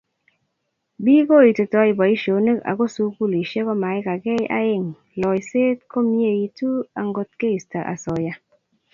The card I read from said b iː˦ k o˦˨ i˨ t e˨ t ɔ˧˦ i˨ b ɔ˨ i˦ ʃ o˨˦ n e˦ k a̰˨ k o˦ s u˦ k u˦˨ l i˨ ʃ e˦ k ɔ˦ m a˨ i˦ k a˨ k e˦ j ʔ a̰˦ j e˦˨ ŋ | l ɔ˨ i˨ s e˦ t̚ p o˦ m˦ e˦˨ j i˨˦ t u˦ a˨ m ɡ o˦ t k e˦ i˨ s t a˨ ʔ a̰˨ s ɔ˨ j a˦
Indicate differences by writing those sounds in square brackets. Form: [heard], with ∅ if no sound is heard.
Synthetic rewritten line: b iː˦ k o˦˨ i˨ t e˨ t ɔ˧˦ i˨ b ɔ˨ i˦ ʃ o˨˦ n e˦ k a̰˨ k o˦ s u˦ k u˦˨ l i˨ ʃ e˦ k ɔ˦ m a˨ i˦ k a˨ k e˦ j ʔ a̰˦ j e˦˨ ŋ | l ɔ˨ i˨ s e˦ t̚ [k] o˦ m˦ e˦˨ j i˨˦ t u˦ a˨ [ŋ] ɡ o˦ t k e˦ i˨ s t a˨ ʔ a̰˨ s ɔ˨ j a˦